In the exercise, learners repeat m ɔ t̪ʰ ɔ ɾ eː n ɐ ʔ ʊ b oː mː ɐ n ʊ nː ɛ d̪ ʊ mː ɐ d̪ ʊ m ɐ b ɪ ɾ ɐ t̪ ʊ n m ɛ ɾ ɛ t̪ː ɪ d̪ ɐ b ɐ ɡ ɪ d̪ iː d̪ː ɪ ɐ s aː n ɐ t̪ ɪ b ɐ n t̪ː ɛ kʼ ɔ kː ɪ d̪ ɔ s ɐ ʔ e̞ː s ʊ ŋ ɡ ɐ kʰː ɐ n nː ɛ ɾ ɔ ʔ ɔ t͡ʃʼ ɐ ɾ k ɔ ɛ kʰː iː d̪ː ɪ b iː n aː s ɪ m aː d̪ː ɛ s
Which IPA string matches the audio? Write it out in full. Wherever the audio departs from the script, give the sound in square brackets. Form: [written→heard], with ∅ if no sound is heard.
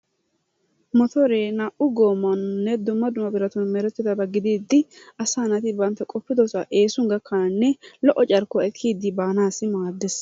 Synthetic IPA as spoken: m ɔ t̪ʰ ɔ ɾ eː n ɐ ʔ ʊ [b→ɡ] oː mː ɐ n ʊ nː ɛ d̪ ʊ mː ɐ d̪ ʊ m ɐ b ɪ ɾ ɐ t̪ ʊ n m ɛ ɾ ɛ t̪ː ɪ d̪ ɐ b ɐ ɡ ɪ d̪ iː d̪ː ɪ ɐ s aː n ɐ t̪ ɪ b ɐ n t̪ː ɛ kʼ ɔ [kː→pː] ɪ d̪ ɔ s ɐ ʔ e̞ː s ʊ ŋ ɡ ɐ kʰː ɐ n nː ɛ [ɾ→l] ɔ ʔ ɔ t͡ʃʼ ɐ ɾ k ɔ ɛ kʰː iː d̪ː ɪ b [iː→aː] n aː s ɪ m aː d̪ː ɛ s